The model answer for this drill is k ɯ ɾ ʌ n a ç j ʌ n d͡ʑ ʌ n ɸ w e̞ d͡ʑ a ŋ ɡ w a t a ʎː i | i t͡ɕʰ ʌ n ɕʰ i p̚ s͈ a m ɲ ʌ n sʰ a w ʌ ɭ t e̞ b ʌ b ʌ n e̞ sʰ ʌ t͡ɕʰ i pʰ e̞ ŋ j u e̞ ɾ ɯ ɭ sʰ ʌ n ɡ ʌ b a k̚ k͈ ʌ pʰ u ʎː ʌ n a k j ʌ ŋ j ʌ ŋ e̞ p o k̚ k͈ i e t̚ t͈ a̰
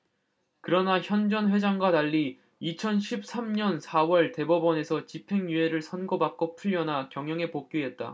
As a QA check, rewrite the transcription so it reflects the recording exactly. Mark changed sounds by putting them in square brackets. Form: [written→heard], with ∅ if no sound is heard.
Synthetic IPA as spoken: k ɯ ɾ ʌ n a ç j ʌ n d͡ʑ ʌ n ɸ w e̞ d͡ʑ a ŋ ɡ w a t a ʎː i | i t͡ɕʰ ʌ n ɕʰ i p̚ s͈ a m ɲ ʌ n sʰ a w ʌ ɭ t e̞ b ʌ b ʌ n e̞ sʰ ʌ [t͡ɕʰ→t͡ɕ] i pʰ e̞ ŋ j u e̞ ɾ ɯ ɭ sʰ ʌ n ɡ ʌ b a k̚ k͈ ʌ pʰ u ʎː ʌ n a k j ʌ ŋ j ʌ ŋ e̞ p o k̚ k͈ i e t̚ t͈ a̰